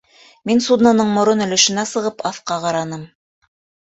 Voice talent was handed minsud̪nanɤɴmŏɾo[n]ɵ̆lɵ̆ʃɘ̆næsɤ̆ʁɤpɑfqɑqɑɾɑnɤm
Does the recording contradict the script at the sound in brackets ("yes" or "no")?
no